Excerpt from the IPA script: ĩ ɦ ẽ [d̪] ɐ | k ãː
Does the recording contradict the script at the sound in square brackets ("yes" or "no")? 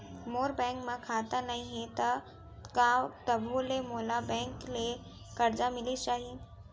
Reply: yes